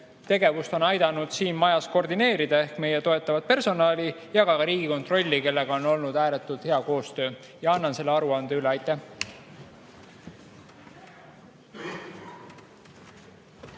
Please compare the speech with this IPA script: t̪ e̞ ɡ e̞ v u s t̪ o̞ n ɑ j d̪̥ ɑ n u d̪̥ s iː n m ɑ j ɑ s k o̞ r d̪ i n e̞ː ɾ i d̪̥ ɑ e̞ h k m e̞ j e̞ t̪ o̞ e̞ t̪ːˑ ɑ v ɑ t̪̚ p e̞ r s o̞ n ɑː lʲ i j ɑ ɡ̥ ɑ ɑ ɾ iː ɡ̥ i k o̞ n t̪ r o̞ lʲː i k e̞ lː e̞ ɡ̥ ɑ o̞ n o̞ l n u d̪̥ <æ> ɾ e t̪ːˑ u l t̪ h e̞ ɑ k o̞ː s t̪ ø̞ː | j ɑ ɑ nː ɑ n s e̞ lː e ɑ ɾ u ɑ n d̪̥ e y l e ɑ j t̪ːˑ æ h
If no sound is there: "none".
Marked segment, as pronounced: æː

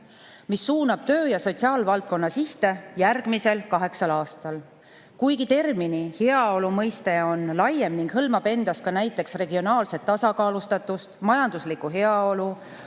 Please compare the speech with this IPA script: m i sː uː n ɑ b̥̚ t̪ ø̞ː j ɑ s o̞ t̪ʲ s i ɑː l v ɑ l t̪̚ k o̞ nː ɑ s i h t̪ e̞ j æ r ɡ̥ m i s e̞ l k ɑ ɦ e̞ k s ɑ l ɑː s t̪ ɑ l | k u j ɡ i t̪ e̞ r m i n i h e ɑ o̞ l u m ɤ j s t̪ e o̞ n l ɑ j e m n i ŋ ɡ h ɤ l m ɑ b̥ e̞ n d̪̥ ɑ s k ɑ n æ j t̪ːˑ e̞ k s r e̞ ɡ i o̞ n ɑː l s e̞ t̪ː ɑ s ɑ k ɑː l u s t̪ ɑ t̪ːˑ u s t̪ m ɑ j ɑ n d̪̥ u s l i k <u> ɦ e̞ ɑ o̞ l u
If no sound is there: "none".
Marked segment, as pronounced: u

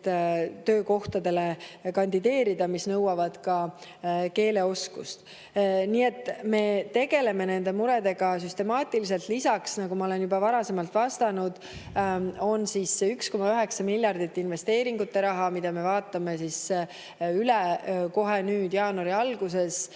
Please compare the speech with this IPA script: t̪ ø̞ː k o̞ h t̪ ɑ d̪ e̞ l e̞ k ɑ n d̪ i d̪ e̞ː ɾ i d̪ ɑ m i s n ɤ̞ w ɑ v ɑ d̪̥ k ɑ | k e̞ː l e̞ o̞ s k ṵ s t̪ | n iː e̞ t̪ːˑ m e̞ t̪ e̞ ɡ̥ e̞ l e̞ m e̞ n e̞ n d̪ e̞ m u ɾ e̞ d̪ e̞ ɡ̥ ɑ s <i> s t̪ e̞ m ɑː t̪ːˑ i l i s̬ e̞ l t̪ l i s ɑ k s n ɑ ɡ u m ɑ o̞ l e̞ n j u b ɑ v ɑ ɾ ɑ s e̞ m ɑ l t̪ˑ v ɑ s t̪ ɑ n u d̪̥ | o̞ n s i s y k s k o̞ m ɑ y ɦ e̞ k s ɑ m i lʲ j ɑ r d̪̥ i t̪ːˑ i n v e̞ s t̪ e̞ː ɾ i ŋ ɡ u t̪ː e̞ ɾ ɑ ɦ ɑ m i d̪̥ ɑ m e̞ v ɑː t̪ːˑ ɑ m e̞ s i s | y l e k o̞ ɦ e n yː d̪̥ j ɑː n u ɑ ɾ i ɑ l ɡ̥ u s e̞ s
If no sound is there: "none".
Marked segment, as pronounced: y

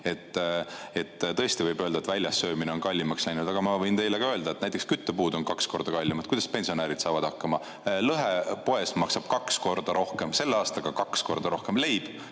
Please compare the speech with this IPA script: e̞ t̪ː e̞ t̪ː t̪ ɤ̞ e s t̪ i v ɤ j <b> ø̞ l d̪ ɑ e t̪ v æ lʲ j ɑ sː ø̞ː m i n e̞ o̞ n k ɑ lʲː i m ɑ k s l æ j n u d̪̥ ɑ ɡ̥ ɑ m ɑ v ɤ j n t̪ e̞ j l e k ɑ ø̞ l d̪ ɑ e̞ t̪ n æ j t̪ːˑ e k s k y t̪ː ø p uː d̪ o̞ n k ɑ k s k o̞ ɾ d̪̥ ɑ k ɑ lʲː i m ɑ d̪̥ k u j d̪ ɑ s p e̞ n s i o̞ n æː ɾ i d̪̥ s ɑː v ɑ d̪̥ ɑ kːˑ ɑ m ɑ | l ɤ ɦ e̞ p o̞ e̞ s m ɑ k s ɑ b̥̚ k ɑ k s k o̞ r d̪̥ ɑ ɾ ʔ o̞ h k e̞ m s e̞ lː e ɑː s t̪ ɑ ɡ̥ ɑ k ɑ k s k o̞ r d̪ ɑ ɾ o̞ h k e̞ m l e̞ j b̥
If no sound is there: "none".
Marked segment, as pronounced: b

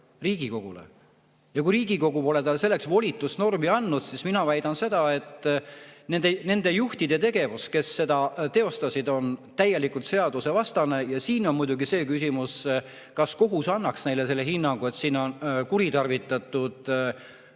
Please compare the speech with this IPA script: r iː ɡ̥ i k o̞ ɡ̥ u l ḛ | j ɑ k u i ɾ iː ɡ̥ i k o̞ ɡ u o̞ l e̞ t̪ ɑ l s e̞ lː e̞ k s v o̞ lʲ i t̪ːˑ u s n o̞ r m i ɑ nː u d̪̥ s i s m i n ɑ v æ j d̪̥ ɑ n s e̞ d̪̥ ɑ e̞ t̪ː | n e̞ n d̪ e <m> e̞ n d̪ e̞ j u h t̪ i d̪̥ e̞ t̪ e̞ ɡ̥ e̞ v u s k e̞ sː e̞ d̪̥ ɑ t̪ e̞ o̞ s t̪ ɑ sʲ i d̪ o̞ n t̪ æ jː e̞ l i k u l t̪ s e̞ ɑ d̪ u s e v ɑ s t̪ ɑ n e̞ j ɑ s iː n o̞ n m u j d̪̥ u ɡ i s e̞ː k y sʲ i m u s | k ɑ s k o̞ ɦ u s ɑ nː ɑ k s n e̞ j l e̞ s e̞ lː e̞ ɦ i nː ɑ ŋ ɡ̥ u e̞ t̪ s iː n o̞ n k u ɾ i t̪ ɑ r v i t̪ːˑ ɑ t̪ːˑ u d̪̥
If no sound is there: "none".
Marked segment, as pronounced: n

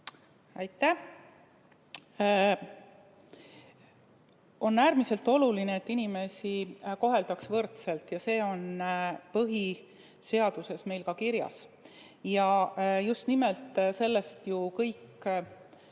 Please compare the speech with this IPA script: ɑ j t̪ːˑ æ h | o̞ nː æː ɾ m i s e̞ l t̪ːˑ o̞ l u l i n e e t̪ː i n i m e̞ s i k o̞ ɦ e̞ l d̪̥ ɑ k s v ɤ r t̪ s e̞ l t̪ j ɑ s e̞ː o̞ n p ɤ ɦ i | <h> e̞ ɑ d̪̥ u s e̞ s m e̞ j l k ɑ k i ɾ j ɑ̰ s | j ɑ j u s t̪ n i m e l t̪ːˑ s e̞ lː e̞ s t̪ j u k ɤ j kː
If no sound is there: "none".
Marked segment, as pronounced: s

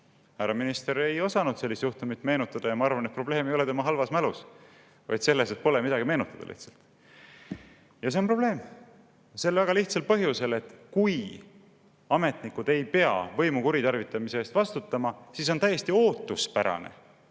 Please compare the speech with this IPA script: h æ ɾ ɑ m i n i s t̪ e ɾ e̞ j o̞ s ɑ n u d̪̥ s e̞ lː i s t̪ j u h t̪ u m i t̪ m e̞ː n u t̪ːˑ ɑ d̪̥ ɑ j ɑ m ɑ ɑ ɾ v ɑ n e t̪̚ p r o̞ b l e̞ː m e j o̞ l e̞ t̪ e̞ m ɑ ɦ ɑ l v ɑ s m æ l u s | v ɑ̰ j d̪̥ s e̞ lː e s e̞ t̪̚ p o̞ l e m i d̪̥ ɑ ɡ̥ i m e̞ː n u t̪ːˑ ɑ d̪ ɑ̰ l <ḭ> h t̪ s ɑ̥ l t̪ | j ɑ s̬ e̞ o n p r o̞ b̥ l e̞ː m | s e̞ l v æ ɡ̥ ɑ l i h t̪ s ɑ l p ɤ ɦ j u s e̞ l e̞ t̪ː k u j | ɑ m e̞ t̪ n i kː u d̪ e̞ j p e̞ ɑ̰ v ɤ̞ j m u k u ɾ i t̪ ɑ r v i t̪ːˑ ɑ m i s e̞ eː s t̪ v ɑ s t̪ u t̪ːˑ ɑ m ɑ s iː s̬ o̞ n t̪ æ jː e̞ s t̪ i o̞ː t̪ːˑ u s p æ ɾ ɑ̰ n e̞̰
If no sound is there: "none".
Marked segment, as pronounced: ḭ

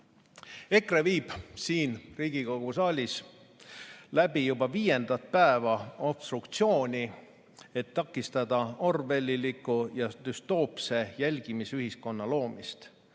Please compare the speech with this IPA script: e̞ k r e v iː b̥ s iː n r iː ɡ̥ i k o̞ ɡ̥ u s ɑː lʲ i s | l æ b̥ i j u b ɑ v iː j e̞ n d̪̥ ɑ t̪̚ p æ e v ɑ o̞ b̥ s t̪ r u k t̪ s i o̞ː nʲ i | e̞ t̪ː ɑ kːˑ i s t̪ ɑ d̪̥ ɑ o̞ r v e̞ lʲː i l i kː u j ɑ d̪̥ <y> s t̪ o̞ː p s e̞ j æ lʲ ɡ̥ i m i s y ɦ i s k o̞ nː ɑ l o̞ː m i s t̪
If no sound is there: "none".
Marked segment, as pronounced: y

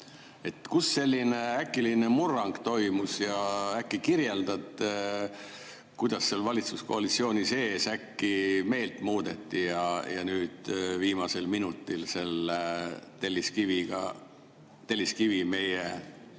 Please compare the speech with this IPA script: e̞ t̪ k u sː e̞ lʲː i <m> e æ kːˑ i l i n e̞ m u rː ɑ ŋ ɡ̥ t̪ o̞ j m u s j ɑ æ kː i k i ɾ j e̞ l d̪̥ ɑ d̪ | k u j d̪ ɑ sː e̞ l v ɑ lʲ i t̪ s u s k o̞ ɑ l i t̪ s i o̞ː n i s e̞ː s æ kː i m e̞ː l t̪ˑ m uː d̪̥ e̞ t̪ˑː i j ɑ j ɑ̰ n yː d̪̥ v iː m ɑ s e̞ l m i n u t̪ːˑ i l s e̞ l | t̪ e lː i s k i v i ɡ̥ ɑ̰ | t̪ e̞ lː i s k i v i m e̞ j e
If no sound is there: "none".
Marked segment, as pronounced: n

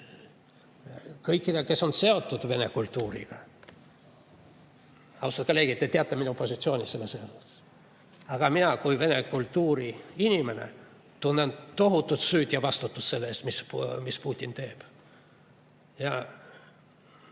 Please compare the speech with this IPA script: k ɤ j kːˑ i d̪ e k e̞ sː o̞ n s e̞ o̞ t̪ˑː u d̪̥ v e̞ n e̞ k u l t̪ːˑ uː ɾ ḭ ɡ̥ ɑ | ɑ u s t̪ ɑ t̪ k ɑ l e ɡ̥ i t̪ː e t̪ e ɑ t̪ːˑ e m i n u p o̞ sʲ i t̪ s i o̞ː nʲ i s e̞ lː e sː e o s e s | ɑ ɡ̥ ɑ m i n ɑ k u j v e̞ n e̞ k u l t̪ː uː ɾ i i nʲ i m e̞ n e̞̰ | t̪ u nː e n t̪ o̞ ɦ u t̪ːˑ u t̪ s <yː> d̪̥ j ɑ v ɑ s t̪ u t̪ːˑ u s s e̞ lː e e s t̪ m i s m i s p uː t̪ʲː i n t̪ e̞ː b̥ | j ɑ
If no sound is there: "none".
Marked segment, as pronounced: yː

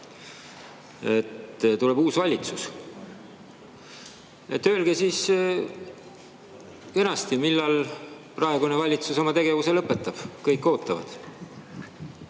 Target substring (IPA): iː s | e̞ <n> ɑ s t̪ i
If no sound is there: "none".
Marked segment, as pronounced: n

